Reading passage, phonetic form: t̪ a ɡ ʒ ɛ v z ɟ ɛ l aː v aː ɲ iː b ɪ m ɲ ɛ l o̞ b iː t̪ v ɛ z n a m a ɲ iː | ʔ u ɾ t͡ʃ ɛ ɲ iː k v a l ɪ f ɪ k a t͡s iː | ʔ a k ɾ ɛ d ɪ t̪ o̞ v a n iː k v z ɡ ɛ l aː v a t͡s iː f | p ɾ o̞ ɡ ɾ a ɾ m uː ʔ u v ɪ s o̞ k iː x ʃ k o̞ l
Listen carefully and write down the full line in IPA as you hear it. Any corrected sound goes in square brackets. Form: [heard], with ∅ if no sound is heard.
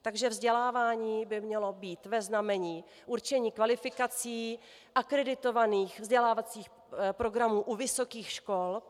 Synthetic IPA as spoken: t̪ a ɡ ʒ ɛ v z ɟ ɛ l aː v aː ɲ iː b ɪ m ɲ ɛ l o̞ b iː t̪ v ɛ z n a m [ɛ] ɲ iː | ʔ u ɾ t͡ʃ ɛ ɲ iː k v a l ɪ f ɪ k a t͡s iː | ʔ a k ɾ ɛ d ɪ t̪ o̞ v a n iː [x] v z [ɟ] ɛ l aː v a t͡s iː [x] | p ɾ o̞ ɡ ɾ a [∅] m uː ʔ u v ɪ s o̞ k iː x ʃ k o̞ l

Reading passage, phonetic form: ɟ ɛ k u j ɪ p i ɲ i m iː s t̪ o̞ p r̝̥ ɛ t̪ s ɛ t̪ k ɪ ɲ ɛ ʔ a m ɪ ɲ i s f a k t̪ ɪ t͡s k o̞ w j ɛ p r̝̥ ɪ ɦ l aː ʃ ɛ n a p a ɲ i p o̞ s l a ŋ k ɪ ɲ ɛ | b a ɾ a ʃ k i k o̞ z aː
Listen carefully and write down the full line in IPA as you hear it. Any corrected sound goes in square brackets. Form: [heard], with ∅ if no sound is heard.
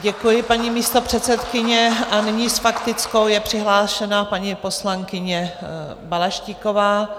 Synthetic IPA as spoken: ɟ ɛ k u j ɪ p [a] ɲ i m iː s t̪ o̞ p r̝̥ ɛ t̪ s ɛ t̪ k ɪ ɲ ɛ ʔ a [n] ɪ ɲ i s f a k t̪ ɪ t͡s k o̞ w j ɛ p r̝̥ ɪ ɦ l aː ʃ ɛ n a p a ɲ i p o̞ s l a ŋ k ɪ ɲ ɛ | b a [l] a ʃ [c] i k o̞ [v] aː

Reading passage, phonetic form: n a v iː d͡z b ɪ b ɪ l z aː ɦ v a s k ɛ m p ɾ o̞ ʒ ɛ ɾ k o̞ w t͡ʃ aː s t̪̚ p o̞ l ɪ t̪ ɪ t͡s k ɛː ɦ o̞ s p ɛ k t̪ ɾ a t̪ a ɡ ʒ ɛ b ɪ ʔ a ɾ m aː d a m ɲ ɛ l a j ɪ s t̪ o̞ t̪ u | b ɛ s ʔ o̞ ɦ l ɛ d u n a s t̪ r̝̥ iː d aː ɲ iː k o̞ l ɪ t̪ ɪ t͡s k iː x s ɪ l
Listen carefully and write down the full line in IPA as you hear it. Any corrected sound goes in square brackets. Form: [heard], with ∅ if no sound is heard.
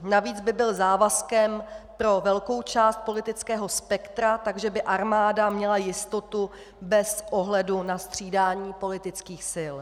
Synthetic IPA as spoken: n a v iː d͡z b ɪ b ɪ l z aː [∅] v a s k ɛ m p ɾ o̞ [v] ɛ [l] k o̞ w t͡ʃ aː s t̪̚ p o̞ l ɪ t̪ ɪ t͡s k ɛː ɦ o̞ s p ɛ k t̪ ɾ a t̪ a ɡ ʒ ɛ b ɪ ʔ a ɾ m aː d a m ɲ ɛ l a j ɪ s t̪ o̞ t̪ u | b ɛ s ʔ o̞ ɦ l ɛ d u n a s t̪ r̝̥ iː d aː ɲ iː [p] o̞ l ɪ t̪ ɪ t͡s k iː x s ɪ l

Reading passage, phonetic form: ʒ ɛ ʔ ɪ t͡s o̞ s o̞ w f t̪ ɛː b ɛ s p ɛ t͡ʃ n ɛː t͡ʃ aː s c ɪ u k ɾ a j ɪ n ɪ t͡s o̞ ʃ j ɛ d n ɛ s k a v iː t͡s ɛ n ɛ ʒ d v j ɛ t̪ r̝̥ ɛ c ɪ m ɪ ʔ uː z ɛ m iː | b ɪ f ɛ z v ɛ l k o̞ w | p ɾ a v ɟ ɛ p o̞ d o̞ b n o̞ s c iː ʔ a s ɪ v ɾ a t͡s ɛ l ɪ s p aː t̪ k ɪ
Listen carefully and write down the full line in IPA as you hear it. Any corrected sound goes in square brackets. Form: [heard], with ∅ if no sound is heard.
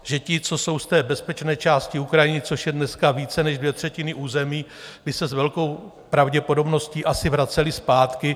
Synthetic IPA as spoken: ʒ ɛ [c] ɪ t͡s o̞ s o̞ w [s] t̪ ɛː b ɛ s p ɛ t͡ʃ n ɛː t͡ʃ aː s c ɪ u k ɾ a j ɪ n ɪ t͡s o̞ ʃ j ɛ d n ɛ s k a v iː t͡s ɛ n ɛ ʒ d v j ɛ t̪ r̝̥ ɛ c ɪ [n] ɪ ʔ uː z ɛ m iː | b ɪ [s] ɛ z v ɛ l k o̞ w | p ɾ a v ɟ ɛ p o̞ d o̞ b n o̞ s c iː ʔ a s ɪ v ɾ a t͡s ɛ l ɪ s p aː t̪ k ɪ

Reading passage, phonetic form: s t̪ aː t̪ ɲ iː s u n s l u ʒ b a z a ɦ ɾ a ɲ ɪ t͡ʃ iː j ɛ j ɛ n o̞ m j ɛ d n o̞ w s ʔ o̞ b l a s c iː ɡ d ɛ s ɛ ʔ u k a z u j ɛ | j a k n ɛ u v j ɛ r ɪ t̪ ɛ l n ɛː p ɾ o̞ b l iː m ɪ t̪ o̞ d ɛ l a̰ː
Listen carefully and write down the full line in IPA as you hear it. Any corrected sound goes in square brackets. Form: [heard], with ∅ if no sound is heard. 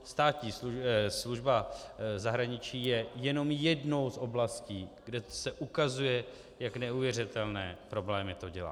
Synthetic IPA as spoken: s t̪ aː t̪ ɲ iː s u [∅] s l u ʒ b a z a ɦ ɾ a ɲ ɪ t͡ʃ iː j ɛ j ɛ n o̞ m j ɛ d n o̞ w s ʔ o̞ b l a s c iː ɡ d ɛ s ɛ ʔ u k a z u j ɛ | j a k n ɛ u v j ɛ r ɪ t̪ ɛ l n ɛː p ɾ o̞ b l [ɛː] m ɪ t̪ o̞ [ɟ] ɛ l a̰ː

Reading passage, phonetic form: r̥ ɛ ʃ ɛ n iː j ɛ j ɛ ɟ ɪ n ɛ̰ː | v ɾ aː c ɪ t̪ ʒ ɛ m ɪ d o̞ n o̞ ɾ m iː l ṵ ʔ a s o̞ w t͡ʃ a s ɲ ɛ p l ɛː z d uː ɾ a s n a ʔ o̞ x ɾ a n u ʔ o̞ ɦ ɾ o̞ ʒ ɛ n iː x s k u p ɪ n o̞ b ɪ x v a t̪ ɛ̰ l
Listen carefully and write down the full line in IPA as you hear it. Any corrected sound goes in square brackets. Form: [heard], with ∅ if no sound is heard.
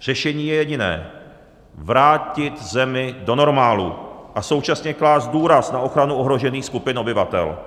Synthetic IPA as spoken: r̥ ɛ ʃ ɛ [ɲ] iː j ɛ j ɛ ɟ ɪ n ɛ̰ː | v ɾ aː c ɪ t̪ [z] ɛ m ɪ d o̞ n o̞ ɾ m [aː] l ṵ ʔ a s o̞ w t͡ʃ a s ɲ ɛ [k] l [aː] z d uː ɾ a s n a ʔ o̞ x ɾ a n u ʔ o̞ ɦ ɾ o̞ ʒ ɛ n iː x s k u p ɪ n o̞ b ɪ [∅] v a t̪ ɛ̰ l

